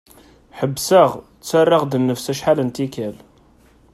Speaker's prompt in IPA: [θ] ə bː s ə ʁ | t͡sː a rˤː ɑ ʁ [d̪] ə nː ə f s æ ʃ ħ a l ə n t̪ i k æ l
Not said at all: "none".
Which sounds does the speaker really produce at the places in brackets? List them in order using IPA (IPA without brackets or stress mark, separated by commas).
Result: ħ, d̪